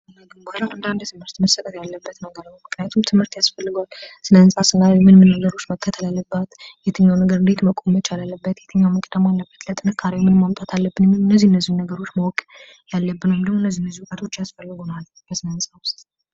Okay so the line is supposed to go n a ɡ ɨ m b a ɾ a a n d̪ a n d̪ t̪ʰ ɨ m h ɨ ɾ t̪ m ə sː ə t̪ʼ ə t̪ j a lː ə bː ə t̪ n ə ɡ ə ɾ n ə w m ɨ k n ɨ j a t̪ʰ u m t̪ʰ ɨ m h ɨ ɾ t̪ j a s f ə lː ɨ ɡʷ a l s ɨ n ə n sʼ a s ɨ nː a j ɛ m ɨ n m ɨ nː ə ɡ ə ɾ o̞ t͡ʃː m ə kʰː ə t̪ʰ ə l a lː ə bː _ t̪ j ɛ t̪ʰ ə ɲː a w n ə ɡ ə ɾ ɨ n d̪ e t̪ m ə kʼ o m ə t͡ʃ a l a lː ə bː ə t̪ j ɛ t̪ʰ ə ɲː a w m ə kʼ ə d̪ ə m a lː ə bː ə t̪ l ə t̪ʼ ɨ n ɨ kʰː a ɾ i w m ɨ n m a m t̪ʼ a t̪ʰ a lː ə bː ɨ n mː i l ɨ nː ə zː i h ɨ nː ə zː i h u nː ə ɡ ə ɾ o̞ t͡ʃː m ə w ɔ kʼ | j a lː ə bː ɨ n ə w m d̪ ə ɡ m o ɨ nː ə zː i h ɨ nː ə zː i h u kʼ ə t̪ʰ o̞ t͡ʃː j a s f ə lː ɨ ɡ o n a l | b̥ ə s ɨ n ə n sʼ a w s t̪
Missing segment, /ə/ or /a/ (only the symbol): a